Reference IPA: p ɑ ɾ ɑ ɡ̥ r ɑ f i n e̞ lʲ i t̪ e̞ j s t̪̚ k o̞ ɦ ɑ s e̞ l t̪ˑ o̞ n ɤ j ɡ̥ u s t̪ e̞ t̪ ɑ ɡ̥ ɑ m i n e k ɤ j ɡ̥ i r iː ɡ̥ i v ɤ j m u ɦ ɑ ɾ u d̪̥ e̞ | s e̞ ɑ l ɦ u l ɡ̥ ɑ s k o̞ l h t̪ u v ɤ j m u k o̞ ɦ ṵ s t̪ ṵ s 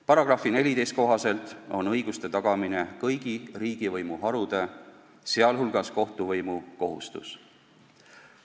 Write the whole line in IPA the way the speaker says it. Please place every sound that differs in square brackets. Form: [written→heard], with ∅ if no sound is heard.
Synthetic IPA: p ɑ ɾ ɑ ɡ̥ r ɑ f i n e̞ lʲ i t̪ e̞ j s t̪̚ k o̞ ɦ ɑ s e̞ l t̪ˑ o̞ n ɤ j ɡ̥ u s t̪ e̞ t̪ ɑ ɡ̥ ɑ m i n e k ɤ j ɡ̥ i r iː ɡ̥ i v ɤ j m u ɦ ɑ ɾ u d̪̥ e̞ | s e̞ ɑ l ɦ u l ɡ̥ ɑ s k o̞ [l→∅] h t̪ u v ɤ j m u k o̞ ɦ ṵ s t̪ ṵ s

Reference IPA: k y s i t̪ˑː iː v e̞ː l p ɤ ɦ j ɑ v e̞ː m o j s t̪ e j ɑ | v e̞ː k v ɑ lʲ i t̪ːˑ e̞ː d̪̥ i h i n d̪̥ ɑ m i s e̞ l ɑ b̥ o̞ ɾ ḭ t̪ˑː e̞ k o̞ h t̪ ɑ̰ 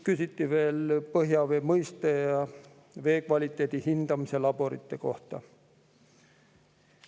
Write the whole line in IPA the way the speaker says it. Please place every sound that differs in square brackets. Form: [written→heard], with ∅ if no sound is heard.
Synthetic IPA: k y s i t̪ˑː [iː→i] v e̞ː l p ɤ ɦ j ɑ v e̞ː m [o→ɤ] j s t̪ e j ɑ | v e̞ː k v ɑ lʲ i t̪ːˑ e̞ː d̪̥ i h i n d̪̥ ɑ m i s e̞ l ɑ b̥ o̞ ɾ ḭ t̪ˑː e̞ k o̞ h t̪ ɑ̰

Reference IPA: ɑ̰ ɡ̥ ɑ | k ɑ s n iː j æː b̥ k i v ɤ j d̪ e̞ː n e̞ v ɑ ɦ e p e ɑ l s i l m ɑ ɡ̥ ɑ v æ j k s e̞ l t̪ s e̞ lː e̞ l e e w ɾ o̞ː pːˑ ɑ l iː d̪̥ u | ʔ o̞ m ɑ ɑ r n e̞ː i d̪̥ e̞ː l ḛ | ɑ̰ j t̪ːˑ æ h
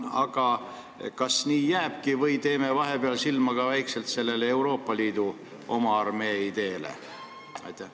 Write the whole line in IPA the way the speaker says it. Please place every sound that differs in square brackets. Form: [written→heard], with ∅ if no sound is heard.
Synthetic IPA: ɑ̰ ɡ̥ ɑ | k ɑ s n iː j æː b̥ k i v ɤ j [d̪→t̪] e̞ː [n→m] e̞ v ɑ ɦ e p e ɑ l s i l m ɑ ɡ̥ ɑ v æ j k s e̞ l t̪ s e̞ lː e̞ l e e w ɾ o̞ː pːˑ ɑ l iː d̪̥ u | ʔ o̞ m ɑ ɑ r [n→m] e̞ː i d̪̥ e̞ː l ḛ | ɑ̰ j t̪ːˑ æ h

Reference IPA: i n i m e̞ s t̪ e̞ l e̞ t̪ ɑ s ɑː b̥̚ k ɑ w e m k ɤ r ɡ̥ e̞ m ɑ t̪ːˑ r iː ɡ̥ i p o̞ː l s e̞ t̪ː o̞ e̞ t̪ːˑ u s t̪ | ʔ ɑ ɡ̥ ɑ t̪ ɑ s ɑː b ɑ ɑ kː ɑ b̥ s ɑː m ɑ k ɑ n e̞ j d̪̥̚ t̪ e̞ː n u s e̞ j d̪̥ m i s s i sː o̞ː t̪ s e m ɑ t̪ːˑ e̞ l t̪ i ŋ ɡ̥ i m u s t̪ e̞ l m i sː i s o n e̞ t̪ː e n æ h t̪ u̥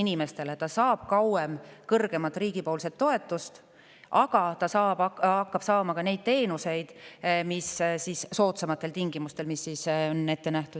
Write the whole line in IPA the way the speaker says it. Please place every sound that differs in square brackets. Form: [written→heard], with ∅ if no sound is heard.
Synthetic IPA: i n i m e̞ s t̪ e̞ l e̞ t̪ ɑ s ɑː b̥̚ k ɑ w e m k ɤ r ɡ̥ e̞ m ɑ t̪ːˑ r iː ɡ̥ i p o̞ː l s e̞ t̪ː o̞ e̞ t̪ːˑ u s t̪ | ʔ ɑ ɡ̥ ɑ t̪ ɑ s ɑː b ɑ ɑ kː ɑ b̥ s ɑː m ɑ k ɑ n e̞ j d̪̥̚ t̪ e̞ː n u s e̞ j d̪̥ m i s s i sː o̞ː t̪ s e m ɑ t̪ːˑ e̞ l t̪ i ŋ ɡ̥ i m u s t̪ e̞ l m i sː i s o n e̞ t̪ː e n æ h t̪ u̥

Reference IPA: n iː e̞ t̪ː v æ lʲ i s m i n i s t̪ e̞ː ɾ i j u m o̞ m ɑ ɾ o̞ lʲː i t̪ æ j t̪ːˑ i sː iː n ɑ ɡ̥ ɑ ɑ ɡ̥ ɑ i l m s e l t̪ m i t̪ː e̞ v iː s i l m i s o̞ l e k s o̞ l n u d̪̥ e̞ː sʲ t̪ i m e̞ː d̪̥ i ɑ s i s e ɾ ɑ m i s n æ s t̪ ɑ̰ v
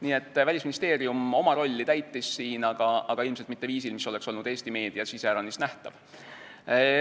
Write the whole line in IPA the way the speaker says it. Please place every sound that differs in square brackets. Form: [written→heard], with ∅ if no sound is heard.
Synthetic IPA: n iː e̞ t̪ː v æ lʲ i s m i n i s t̪ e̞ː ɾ i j u m o̞ m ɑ ɾ o̞ lʲː i t̪ æ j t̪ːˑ i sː iː n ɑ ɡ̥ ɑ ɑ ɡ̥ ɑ i l m s e l t̪ m i t̪ː e̞ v iː s i l m i s o̞ l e k s o̞ l n u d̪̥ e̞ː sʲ t̪ i m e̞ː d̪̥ i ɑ s i s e ɾ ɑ [m→n] i s n æ [s→h] t̪ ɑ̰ v

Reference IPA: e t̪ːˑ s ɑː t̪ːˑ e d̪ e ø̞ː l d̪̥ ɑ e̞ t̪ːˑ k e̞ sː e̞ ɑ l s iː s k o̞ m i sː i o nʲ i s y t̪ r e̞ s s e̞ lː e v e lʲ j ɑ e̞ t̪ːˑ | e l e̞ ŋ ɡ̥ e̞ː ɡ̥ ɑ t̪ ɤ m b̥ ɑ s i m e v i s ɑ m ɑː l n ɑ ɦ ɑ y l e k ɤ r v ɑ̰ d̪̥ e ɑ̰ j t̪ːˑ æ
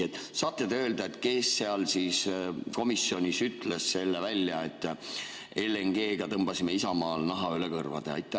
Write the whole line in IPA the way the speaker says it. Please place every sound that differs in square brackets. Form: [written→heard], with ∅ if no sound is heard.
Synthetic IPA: e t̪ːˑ s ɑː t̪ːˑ e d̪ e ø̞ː l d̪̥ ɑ e̞ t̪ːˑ k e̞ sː e̞ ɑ l s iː s k o̞ m i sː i o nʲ i s y t̪ [r→l] e̞ s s e̞ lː e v [e→æ] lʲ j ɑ e̞ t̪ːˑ | e l e̞ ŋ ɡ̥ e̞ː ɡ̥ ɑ t̪ ɤ m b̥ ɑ s i m e [v→∅] i s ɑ m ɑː l n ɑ ɦ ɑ y l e k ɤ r v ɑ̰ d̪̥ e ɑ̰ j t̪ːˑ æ

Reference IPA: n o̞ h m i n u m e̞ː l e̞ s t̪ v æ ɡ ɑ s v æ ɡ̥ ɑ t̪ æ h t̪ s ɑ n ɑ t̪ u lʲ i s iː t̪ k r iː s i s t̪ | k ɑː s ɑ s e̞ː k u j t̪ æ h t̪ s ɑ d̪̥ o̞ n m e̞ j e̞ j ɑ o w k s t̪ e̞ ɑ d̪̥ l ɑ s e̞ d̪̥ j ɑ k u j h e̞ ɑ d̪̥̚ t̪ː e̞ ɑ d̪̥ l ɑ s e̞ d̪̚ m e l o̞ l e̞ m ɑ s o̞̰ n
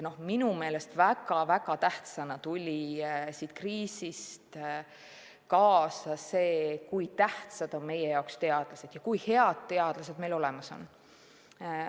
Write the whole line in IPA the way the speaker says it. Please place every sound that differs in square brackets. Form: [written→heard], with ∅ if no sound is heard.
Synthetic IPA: n o̞ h m i n u m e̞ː l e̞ s t̪ v æ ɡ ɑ [s→∅] v æ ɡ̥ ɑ t̪ æ h t̪ s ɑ n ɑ t̪ u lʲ i s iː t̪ k r iː s i s t̪ | k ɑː s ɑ s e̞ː k u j t̪ æ h t̪ s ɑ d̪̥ o̞ n m e̞ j e̞ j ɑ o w k s t̪ e̞ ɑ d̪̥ l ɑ s e̞ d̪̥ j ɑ k u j h e̞ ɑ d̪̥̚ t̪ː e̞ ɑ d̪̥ l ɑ s e̞ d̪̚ m e l o̞ l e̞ m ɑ s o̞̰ n

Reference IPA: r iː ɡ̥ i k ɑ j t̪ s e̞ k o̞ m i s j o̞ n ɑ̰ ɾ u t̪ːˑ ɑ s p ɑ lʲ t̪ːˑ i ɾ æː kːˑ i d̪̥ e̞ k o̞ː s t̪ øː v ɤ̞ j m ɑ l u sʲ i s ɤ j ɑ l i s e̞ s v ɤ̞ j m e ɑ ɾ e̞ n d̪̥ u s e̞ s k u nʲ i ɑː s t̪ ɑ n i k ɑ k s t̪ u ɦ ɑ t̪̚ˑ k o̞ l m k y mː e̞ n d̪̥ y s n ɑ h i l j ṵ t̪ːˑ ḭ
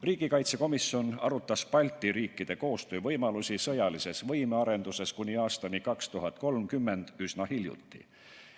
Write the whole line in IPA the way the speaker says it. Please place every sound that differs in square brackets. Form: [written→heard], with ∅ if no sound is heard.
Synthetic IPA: r iː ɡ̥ i k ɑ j t̪ s e̞ k o̞ m i s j o̞ n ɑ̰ ɾ u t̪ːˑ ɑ s p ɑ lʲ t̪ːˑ i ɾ [æː→iː] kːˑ i d̪̥ e̞ k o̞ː s t̪ øː v ɤ̞ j m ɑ l u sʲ i s ɤ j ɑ l i s e̞ s v ɤ̞ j m e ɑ ɾ e̞ n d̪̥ u s e̞ s k u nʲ i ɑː s t̪ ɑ n i k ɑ k s t̪ u ɦ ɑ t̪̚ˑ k o̞ l m k y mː e̞ n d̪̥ y s n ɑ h i l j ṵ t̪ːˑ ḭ

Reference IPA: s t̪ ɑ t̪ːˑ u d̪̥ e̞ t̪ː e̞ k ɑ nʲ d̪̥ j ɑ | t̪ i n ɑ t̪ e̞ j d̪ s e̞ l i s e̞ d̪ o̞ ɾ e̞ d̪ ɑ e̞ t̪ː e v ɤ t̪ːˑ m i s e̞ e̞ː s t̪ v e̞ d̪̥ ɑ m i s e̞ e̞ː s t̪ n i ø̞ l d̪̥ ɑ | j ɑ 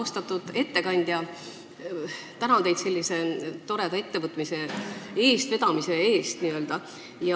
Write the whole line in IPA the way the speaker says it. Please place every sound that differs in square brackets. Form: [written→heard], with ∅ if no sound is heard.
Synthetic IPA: s t̪ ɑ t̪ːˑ u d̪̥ e̞ t̪ː e̞ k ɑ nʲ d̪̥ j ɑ | t̪ [i→æ] n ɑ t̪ e̞ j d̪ s e̞ [l→lː] i s e̞ [d̪→t̪] o̞ ɾ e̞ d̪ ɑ e̞ t̪ː e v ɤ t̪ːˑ m i s e̞ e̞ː s t̪ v e̞ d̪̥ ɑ m i s e̞ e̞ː s t̪ n i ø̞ l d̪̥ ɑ | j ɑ

